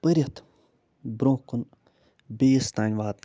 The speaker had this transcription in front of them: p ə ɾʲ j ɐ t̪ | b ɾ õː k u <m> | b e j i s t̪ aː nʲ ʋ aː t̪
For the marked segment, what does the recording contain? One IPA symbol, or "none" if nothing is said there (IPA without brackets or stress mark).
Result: n